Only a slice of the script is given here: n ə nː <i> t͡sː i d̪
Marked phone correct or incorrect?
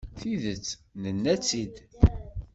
incorrect: æ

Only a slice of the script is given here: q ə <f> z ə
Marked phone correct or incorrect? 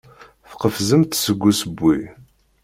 correct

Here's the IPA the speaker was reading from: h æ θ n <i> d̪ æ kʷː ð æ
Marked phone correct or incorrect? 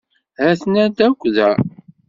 incorrect: æ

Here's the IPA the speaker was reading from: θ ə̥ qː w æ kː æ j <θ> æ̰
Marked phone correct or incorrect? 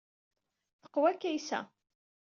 incorrect: s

